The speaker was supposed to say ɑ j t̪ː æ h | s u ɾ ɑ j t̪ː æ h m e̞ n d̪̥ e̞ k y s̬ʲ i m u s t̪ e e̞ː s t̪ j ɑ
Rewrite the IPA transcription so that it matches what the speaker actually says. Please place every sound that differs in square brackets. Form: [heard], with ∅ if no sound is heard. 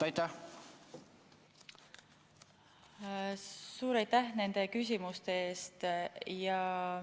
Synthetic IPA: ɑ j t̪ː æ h | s [uː] ɾ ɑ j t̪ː æ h [n] e̞ n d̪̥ e̞ k y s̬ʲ i m u s t̪ e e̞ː s t̪ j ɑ